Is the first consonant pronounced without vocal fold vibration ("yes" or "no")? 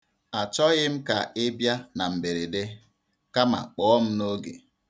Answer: yes